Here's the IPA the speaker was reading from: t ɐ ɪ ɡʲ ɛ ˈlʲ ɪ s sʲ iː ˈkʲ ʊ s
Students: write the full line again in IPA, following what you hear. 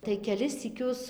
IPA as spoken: t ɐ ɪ kʲ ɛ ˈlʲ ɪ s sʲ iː ˈkʲ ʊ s